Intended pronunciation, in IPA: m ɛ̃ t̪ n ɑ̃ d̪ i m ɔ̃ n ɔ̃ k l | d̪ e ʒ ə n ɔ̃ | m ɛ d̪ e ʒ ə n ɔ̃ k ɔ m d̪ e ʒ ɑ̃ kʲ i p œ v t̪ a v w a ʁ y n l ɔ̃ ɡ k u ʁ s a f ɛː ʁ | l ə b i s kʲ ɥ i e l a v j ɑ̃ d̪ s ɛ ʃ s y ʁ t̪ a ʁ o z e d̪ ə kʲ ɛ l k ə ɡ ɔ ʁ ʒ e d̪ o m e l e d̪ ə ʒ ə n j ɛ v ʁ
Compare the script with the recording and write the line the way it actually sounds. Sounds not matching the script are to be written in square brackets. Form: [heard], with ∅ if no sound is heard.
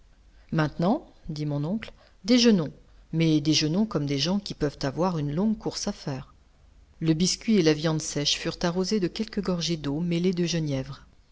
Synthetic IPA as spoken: m ɛ̃ t̪ n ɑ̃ d̪ i m ɔ̃ n ɔ̃ k l | d̪ e ʒ ə n ɔ̃ | m ɛ d̪ e ʒ ə n ɔ̃ k ɔ m d̪ e ʒ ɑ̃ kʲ i p œ v t̪ a v w a ʁ y n l ɔ̃ ɡ k u ʁ s a f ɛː ʁ | l ə b i s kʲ ɥ i e l a v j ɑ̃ d̪ s ɛ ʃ [f] y ʁ t̪ a ʁ o z e d̪ ə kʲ ɛ l k ə ɡ ɔ ʁ ʒ e d̪ o m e l e d̪ ə ʒ ə n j ɛ v ʁ